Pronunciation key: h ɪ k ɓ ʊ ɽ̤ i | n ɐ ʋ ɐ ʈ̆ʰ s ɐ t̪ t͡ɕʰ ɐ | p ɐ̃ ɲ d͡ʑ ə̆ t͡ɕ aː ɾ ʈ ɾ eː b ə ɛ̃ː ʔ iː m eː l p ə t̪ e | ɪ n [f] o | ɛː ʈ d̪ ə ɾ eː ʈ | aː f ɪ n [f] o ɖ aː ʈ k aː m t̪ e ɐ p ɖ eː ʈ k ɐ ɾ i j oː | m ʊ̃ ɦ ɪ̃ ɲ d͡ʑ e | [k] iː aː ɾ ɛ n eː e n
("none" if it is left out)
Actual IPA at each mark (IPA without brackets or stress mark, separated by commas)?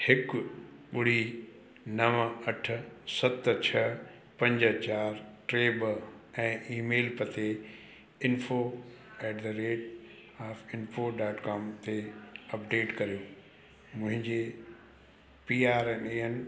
f, f, p